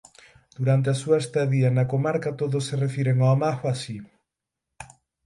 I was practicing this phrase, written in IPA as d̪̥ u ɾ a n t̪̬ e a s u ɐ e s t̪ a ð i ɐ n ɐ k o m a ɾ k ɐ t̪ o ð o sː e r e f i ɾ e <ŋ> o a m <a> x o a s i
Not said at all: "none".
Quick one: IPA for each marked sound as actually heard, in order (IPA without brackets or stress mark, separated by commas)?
ŋ, a